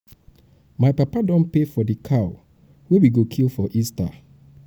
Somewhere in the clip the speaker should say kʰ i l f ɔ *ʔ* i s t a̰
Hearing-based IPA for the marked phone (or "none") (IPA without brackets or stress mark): ʔ